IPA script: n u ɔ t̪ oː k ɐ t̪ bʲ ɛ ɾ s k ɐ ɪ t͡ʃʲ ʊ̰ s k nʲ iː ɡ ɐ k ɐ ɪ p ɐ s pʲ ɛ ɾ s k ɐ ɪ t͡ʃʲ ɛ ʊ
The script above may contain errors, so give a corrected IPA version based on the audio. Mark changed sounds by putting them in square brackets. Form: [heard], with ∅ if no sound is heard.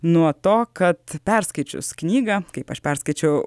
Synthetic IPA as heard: n u ɔ t̪ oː k ɐ t̪ [pʲ] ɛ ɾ s k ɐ ɪ t͡ʃʲ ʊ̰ s k nʲ iː ɡ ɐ k ɐ ɪ p ɐ [ʃ] pʲ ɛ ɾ s k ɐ ɪ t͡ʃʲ ɛ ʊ